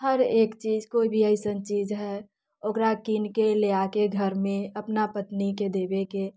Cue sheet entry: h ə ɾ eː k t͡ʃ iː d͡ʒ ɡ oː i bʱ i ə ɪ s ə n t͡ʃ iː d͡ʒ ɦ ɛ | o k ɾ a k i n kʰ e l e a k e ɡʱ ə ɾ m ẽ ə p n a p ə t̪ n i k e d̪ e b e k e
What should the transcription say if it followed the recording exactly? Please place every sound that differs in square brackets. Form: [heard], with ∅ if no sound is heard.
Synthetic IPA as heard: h ə ɾ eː k t͡ʃ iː d͡ʒ [k] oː i bʱ i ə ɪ s ə n t͡ʃ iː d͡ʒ ɦ ɛ | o k ɾ a k i n [k] e l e a k e ɡʱ ə ɾ m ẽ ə p n a p ə t̪ n i k e d̪ e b e k e